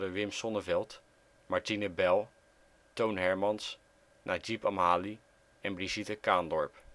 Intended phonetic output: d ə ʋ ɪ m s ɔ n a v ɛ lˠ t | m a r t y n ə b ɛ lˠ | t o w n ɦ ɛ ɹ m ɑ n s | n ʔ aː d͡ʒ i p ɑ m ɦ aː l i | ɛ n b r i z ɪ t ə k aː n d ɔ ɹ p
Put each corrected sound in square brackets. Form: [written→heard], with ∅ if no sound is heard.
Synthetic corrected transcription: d ə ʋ ɪ m s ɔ n [a→ə] v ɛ lˠ t | m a [r→ɹ] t [y→i] n ə b ɛ lˠ | t o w n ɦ ɛ ɹ m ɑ n s | n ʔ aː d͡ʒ i p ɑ m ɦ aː l i | ɛ n b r i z [ɪ→i] t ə k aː n d ɔ ɹ p